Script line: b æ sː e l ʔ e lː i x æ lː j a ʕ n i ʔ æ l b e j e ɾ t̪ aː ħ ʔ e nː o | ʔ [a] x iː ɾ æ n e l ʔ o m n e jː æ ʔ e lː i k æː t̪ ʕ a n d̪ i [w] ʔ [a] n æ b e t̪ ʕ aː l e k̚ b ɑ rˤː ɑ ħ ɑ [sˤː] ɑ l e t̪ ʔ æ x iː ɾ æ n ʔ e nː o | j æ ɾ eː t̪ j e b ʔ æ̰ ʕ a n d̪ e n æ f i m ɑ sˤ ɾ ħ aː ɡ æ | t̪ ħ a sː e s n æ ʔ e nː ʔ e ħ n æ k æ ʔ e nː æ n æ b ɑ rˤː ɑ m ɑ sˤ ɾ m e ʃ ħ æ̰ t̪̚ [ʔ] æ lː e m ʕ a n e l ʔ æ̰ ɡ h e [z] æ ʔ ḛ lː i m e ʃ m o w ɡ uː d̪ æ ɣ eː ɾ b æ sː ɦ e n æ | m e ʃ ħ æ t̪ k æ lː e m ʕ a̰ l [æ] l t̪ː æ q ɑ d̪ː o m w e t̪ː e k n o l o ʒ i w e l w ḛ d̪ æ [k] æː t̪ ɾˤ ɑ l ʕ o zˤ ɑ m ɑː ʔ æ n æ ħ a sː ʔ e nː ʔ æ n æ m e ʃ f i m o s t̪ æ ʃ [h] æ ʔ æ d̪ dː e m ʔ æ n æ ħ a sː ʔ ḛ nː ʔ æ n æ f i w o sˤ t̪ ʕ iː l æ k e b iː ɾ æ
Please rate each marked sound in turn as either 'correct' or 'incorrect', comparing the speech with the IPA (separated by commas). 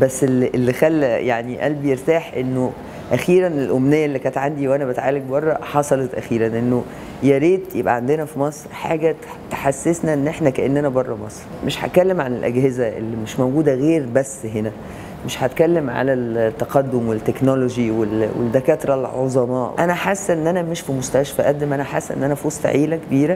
incorrect, correct, incorrect, incorrect, incorrect, correct, correct, correct, incorrect